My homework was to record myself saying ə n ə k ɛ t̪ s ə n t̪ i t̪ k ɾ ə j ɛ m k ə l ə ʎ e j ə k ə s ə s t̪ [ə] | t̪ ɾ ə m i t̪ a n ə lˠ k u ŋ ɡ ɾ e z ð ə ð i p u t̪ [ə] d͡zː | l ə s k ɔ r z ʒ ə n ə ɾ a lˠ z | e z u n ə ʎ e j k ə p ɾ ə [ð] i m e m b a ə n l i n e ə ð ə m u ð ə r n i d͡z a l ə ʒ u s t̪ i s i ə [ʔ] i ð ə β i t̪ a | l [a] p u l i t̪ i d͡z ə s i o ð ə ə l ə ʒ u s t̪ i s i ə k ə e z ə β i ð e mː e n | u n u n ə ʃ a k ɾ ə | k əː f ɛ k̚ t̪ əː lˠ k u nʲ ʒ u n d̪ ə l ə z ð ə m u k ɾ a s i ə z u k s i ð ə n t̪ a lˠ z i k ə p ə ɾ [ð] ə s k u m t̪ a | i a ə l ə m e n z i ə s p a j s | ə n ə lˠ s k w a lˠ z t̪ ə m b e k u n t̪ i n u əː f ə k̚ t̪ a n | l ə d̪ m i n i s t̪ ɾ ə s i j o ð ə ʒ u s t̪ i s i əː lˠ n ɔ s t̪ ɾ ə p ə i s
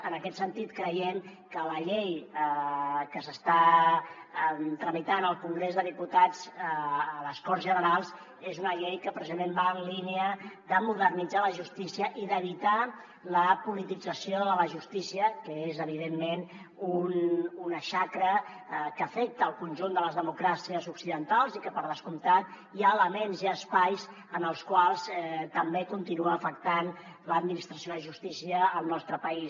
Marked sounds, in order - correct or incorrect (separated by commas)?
incorrect, incorrect, incorrect, correct, incorrect, correct